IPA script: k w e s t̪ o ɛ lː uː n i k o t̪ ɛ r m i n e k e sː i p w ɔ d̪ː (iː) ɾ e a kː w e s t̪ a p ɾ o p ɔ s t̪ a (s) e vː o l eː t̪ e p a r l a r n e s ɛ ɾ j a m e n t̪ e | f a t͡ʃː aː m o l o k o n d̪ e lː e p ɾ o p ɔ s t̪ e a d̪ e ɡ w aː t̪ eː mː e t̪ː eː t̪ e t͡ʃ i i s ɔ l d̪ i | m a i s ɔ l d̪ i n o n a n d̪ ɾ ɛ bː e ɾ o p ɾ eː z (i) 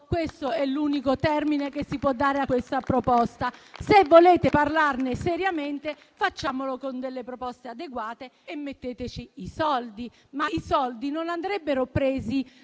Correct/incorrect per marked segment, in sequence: incorrect: aː, correct, correct

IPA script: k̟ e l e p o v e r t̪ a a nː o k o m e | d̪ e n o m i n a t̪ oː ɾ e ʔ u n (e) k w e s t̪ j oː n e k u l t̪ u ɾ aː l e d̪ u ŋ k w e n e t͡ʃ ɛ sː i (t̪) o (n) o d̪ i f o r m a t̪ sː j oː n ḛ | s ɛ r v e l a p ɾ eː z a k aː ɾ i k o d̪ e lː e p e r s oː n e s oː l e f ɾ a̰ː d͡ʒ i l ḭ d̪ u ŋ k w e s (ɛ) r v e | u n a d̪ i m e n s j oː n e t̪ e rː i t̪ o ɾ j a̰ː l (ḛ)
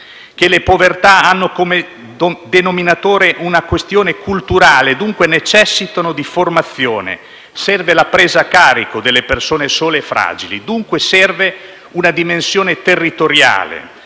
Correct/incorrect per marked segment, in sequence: incorrect: a, correct, correct, correct, correct

